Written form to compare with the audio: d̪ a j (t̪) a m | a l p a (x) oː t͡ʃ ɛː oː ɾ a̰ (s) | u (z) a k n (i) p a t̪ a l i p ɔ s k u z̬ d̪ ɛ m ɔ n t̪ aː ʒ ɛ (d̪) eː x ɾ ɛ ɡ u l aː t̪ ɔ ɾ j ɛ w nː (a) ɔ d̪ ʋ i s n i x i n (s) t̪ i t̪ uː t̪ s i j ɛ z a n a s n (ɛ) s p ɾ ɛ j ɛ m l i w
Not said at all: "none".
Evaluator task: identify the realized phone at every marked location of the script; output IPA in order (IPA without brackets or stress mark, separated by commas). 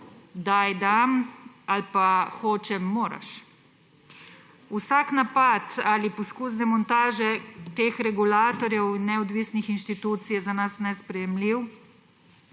d̪, x, ʃ, s, a, t̪, ɛ, ʃ, ɛ